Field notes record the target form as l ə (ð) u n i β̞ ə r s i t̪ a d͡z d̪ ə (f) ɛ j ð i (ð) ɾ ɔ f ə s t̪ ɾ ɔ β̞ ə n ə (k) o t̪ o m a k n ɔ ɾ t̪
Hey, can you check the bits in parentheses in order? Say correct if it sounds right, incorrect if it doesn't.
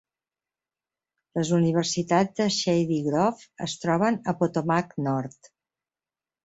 incorrect, incorrect, incorrect, incorrect

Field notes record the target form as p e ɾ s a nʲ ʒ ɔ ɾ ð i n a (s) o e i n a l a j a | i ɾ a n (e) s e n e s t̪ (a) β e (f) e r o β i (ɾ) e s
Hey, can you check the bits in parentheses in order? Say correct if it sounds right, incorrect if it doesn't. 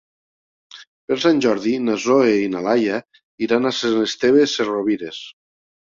incorrect, incorrect, incorrect, incorrect, correct

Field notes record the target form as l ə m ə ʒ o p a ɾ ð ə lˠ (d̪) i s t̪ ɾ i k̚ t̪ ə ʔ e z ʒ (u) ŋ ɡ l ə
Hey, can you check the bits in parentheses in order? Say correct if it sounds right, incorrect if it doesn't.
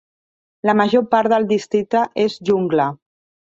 correct, correct

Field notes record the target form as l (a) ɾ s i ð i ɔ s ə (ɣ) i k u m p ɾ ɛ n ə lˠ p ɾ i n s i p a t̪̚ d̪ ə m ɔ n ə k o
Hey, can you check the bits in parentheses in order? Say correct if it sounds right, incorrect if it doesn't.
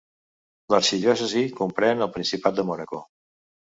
incorrect, incorrect

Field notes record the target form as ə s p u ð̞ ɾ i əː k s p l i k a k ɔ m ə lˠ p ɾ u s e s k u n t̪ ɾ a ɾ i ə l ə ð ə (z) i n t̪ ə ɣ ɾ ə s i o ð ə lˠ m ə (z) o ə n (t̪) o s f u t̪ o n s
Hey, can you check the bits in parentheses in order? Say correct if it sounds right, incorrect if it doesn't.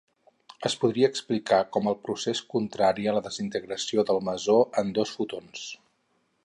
correct, correct, incorrect

